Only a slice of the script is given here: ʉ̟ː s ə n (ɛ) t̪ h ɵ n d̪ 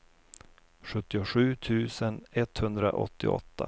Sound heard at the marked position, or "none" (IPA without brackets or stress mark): ɛ